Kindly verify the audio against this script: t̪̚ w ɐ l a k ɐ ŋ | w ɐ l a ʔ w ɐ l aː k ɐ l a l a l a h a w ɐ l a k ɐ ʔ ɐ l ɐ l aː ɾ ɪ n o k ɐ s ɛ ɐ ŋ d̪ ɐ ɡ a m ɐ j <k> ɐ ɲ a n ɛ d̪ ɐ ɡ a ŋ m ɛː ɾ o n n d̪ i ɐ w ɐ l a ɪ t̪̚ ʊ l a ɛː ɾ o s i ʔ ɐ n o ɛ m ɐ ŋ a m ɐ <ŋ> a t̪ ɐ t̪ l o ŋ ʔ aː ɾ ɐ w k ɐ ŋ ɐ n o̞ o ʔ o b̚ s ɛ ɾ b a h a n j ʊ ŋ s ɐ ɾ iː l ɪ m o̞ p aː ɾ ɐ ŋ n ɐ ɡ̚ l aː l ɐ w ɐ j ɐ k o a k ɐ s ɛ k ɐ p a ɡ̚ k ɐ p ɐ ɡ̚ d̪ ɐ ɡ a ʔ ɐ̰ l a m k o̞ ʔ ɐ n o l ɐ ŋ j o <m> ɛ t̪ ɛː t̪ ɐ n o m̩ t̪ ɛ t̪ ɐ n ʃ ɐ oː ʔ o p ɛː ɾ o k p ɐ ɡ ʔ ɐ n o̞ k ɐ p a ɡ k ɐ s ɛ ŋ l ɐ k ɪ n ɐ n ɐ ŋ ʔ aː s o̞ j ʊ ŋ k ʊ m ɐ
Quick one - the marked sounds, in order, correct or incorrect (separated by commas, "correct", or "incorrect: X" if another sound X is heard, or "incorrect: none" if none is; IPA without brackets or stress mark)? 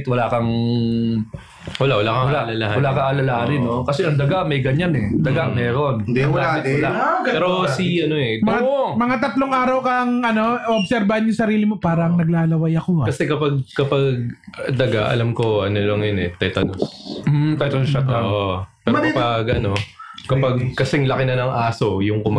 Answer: incorrect: ɡ, correct, incorrect: n